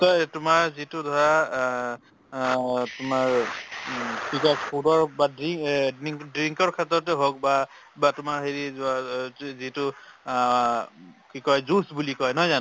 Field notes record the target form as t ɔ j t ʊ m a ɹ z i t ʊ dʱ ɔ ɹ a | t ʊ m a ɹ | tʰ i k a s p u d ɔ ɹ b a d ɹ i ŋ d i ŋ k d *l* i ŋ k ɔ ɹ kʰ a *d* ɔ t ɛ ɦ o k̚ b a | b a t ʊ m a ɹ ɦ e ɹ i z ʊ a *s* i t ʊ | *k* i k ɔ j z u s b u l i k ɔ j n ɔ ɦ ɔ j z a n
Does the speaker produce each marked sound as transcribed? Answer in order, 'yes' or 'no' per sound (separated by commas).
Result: no, no, no, yes